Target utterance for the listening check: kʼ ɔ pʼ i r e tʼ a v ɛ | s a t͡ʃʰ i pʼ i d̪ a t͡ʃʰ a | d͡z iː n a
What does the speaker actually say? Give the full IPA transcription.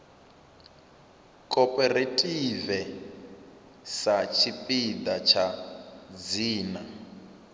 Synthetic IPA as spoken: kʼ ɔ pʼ ɛ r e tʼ i v ɛ | s a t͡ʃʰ i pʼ i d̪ a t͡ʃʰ a | d͡z iː n a